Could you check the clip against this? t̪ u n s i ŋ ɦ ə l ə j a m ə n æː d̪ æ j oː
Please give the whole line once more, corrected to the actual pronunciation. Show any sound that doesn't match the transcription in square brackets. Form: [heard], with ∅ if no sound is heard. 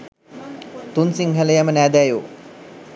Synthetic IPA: t̪ u n s i ŋ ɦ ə l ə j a m ə n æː d̪ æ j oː